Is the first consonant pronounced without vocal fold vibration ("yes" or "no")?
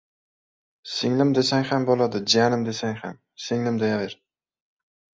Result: yes